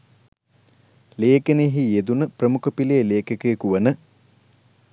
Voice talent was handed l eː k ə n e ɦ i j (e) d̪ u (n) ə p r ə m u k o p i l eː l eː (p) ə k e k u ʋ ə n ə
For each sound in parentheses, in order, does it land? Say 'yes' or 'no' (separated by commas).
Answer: yes, yes, no